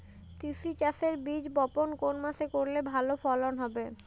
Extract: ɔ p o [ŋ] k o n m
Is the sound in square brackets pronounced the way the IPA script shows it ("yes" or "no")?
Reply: no